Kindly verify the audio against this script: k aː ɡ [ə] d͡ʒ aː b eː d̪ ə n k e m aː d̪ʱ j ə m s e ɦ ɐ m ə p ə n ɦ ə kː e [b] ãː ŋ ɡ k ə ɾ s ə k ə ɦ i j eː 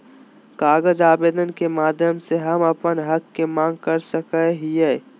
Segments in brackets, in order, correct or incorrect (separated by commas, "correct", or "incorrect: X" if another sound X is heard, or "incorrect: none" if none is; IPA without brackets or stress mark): correct, incorrect: m